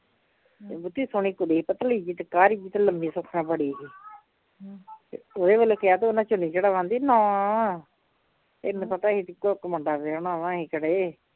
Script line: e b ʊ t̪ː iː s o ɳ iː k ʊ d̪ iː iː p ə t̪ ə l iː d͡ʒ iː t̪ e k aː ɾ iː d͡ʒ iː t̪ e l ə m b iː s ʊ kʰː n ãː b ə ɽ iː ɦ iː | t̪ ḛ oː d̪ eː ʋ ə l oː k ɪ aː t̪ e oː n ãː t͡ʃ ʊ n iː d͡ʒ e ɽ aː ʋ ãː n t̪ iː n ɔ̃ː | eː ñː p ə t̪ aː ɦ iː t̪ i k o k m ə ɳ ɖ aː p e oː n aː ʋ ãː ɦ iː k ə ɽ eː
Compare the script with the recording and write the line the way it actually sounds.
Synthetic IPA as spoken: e b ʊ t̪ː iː s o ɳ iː k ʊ d̪ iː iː p ə t̪ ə l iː d͡ʒ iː t̪ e k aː ɾ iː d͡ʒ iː t̪ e l ə m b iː s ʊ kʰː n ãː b ə ɽ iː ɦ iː | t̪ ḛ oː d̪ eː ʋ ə l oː k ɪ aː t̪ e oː n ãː t͡ʃ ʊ n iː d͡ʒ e ɽ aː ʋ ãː n d̪ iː n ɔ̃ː | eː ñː p ə t̪ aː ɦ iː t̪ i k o k m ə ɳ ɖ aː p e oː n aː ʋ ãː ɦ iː k ə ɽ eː